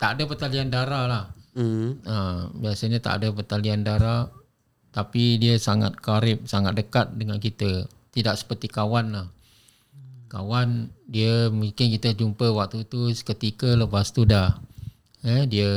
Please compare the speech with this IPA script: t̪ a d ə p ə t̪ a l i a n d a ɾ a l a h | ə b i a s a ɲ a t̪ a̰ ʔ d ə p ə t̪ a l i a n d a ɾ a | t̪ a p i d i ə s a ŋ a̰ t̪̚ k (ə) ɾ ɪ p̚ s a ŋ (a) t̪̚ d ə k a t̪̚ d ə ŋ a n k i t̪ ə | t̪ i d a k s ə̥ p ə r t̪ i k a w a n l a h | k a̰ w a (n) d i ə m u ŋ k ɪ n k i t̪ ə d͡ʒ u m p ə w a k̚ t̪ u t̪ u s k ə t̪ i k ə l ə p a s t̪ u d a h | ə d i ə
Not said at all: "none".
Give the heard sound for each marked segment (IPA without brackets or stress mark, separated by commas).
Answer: a, a, n